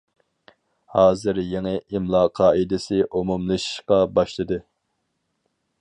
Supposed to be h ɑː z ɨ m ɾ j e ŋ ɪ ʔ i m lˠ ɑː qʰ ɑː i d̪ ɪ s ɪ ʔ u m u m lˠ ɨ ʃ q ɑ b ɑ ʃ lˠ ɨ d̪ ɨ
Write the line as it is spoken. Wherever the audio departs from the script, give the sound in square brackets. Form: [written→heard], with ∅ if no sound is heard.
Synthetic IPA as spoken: h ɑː z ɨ [m→∅] ɾ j e ŋ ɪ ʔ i m lˠ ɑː qʰ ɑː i d̪ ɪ s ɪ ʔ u m u m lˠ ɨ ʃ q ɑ b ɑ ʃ lˠ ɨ d̪ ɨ